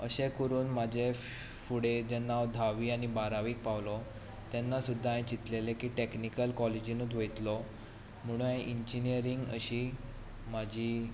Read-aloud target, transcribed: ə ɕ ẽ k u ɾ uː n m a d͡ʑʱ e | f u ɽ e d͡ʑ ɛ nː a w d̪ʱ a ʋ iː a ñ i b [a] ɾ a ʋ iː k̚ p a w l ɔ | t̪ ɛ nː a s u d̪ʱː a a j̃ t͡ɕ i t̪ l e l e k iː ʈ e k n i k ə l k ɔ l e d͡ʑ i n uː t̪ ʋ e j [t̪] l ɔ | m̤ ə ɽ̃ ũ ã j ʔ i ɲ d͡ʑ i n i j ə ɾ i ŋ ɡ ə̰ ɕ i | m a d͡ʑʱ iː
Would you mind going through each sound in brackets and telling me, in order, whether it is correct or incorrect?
correct, correct

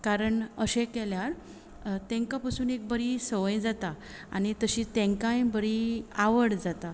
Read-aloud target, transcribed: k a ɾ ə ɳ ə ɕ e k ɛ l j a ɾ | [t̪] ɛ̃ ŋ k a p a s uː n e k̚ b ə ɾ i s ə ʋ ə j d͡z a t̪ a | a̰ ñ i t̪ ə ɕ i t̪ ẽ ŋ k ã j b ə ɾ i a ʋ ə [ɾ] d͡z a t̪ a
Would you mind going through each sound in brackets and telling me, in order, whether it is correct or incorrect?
correct, incorrect

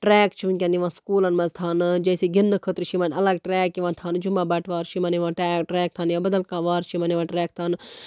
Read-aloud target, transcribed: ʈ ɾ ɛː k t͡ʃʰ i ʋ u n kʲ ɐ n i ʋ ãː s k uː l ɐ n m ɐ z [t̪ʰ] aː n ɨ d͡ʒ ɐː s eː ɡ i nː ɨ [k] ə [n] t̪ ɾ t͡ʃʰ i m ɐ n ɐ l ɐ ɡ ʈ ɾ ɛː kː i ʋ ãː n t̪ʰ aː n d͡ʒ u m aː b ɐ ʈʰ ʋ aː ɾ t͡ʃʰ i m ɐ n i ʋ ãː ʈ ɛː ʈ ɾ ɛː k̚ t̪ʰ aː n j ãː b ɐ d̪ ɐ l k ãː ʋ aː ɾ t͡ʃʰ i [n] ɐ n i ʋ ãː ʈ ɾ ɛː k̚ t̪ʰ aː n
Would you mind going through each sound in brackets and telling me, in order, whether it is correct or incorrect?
correct, incorrect, incorrect, incorrect

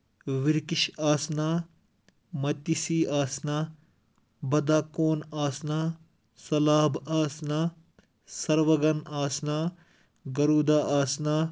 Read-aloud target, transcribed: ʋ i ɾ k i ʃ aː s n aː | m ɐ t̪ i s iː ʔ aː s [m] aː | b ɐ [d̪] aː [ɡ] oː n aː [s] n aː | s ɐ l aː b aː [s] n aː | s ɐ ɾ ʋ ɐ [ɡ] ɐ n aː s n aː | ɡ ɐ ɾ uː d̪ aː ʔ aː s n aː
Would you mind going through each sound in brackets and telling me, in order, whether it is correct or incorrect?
incorrect, correct, incorrect, correct, correct, correct

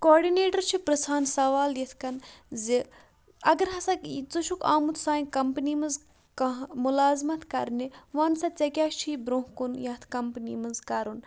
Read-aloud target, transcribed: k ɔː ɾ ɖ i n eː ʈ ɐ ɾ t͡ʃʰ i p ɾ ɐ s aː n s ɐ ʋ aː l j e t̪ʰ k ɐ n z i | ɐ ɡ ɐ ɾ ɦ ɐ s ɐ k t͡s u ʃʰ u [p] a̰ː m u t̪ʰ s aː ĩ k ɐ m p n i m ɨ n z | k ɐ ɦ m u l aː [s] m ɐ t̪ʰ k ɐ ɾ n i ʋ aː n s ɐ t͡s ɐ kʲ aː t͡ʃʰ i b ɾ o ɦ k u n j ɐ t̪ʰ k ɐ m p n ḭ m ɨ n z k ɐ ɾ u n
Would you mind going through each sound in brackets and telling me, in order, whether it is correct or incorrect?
incorrect, incorrect

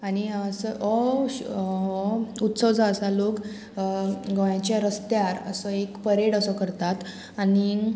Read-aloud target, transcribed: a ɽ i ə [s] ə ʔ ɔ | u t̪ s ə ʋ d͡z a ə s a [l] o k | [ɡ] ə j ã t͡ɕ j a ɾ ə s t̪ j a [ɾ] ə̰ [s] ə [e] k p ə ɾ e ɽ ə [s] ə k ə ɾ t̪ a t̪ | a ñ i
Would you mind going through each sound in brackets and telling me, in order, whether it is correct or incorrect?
correct, correct, correct, correct, correct, correct, correct

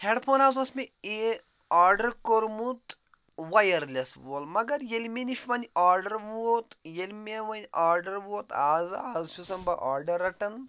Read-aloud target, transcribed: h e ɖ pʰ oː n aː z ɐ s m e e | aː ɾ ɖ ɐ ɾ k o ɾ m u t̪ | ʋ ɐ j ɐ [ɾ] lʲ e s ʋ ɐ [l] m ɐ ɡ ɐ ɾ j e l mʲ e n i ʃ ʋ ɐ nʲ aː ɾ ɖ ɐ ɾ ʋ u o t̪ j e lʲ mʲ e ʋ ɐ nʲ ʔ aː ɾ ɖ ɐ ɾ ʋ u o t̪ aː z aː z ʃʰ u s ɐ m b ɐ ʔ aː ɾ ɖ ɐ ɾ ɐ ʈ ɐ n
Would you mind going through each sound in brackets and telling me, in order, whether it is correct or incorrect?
correct, correct

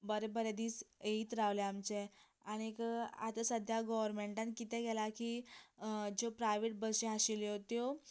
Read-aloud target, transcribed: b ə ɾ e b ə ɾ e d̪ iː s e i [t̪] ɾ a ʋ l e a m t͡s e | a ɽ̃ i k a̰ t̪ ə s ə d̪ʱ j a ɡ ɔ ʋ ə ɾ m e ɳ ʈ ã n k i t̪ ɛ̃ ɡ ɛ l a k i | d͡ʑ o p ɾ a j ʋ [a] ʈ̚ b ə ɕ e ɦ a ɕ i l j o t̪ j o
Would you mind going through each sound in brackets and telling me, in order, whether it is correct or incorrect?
correct, incorrect

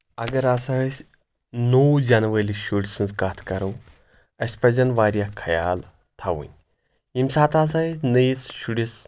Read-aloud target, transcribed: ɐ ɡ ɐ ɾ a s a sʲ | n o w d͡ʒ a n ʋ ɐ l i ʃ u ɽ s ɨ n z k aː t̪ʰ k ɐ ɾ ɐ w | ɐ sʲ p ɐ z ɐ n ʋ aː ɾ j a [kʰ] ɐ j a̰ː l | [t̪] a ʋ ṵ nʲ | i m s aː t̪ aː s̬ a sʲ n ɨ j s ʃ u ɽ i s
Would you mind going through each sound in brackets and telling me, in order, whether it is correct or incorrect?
correct, incorrect

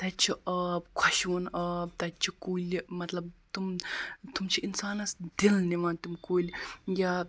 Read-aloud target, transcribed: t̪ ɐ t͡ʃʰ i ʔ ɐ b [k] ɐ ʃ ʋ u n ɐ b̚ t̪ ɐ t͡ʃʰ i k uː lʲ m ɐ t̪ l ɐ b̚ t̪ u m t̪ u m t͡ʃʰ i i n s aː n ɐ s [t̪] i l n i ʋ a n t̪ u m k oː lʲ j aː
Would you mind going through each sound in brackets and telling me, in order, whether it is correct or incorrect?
incorrect, incorrect

